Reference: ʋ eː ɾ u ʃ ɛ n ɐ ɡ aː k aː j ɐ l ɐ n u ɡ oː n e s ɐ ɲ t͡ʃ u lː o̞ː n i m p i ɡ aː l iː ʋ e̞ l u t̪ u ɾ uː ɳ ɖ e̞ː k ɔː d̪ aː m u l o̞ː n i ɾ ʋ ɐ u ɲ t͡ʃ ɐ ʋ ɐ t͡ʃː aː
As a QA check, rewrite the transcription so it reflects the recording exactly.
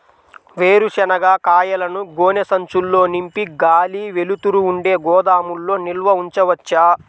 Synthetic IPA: ʋ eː ɾ u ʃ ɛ n ɐ ɡ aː k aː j ɐ l ɐ n u ɡ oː n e s ɐ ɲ t͡ʃ u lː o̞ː n i m p i ɡ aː l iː ʋ e̞ l u t̪ u ɾ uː ɳ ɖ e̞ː ɡ ɔː d̪ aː m u lː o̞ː n i l ʋ ɐ u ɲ t͡ʃ ɐ ʋ ɐ t͡ʃː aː